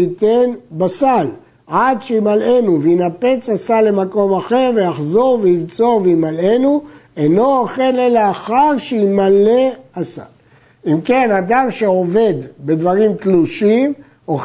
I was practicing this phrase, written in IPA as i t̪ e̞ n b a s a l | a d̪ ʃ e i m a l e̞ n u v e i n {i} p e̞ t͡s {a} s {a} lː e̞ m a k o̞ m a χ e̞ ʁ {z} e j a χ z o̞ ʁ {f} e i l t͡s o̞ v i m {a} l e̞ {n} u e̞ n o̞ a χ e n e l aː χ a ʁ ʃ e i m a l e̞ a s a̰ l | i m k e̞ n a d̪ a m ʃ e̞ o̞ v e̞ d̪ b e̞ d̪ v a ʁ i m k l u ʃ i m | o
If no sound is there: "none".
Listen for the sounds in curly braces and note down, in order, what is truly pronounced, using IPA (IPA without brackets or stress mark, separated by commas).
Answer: a, a, a, v, v, a, n